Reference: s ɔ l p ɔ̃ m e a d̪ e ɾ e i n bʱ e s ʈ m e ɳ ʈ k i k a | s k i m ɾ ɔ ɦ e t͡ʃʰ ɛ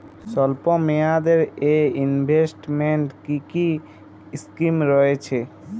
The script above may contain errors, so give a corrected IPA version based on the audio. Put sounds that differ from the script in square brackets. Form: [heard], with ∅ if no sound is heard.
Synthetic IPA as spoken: s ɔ l p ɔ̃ m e a d̪ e ɾ e i n bʱ e s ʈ m e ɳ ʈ k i k [i] | s k i m ɾ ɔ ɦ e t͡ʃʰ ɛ